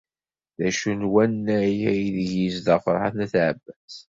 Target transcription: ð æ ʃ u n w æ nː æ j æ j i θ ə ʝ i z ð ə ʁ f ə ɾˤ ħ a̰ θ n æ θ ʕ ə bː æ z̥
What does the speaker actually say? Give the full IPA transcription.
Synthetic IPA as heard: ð æ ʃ u n w æ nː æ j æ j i ð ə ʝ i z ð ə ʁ f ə ɾˤ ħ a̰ θ n æ θ ʕ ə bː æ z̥